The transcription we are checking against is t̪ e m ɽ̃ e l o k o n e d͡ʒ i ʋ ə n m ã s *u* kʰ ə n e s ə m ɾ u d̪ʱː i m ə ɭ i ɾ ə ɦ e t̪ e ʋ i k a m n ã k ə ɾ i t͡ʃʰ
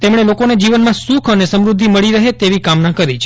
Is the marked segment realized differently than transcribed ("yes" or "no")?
no